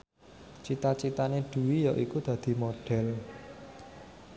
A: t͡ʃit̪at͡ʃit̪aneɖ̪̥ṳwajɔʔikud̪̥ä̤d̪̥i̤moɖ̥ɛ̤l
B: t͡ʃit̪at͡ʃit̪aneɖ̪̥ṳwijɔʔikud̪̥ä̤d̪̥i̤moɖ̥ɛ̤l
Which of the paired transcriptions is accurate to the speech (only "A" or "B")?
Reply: B